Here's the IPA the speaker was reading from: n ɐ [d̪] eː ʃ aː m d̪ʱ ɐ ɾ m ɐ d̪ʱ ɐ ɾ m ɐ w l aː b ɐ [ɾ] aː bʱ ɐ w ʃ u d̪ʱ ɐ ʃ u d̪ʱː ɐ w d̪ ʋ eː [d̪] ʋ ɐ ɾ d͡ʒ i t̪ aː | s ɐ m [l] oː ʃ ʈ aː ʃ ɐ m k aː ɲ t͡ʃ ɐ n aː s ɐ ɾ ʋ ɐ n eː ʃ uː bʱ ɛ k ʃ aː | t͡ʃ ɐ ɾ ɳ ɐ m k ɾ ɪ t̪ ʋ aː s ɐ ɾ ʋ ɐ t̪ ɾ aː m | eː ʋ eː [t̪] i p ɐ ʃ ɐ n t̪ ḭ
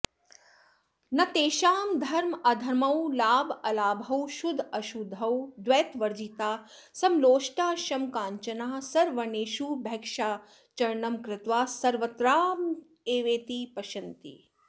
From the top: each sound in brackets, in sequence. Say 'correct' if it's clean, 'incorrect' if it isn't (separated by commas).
incorrect, incorrect, incorrect, correct, correct